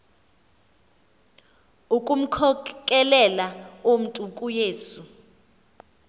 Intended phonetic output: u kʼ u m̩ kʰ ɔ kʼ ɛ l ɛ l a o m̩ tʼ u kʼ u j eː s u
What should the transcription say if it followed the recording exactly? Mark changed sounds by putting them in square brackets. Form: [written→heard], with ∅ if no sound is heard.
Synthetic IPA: u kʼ u m̩ kʰ ɔ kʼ ɛ l ɛ l a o m̩ tʼ u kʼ u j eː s u